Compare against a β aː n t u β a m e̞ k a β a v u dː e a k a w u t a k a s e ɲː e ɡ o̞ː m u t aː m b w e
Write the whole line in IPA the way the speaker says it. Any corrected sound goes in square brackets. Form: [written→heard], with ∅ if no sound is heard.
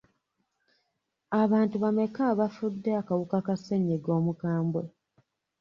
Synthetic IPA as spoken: a β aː n t u β a m e̞ k a β a [v→f] u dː e a k a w u [t→k] a k a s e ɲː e ɡ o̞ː m u [t→k] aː m b w e